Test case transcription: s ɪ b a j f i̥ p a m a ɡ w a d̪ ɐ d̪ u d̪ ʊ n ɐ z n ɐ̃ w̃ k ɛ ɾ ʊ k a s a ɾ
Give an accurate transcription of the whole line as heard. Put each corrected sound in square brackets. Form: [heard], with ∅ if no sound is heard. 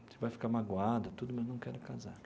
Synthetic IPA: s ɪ [v] a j f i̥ [k] a m a ɡ w a d̪ ɐ [t̪] u d̪ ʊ [m] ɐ z n ɐ̃ w̃ k ɛ ɾ ʊ k a [z] a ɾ